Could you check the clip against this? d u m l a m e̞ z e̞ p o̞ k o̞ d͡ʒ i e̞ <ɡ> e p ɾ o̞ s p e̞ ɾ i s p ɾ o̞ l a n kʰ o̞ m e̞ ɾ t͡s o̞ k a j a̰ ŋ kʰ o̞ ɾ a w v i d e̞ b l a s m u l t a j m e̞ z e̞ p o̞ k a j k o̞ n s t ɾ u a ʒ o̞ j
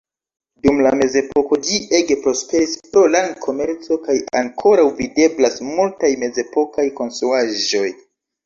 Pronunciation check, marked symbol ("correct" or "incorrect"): correct